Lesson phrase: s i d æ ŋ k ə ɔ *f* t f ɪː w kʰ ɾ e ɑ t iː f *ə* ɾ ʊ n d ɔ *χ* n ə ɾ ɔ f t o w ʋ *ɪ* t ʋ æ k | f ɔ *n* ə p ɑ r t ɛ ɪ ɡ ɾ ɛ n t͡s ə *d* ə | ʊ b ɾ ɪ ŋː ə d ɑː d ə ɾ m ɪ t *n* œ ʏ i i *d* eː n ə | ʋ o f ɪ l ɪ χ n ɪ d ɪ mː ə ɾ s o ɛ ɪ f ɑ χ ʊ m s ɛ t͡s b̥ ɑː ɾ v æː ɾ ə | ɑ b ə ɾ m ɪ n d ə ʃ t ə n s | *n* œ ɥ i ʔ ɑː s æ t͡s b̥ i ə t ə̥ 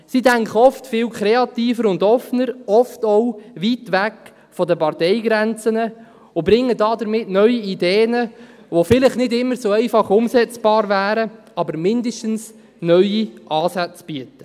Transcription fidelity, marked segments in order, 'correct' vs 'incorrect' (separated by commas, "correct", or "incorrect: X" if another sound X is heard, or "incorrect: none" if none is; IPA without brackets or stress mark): correct, correct, incorrect: f, incorrect: i, incorrect: d, incorrect: n, correct, correct, correct